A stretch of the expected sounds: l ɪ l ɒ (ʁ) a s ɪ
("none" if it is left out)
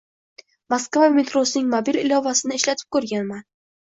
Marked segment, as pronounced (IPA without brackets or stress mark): v